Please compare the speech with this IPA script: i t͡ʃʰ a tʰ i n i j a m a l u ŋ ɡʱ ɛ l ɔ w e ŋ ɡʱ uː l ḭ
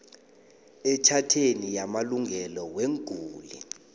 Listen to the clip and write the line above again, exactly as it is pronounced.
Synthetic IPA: ɛ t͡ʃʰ a tʰ e n i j a m a l u ŋ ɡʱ ɛ l ɔ w e ŋ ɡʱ uː l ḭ